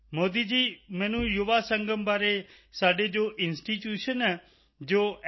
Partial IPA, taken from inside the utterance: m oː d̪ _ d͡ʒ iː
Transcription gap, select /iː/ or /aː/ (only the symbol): iː